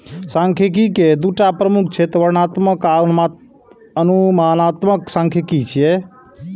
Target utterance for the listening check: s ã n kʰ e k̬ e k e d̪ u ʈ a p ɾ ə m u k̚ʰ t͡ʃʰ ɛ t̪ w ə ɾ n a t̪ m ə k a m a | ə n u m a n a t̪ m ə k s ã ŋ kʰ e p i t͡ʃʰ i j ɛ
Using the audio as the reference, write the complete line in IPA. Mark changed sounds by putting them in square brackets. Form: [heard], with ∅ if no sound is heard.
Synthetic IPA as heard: s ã [ŋ] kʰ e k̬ [i] k e d̪ u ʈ a p ɾ ə m u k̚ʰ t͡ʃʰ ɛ t̪ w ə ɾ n a t̪ m ə k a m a | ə n u m a n a t̪ m ə k s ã ŋ kʰ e [k] i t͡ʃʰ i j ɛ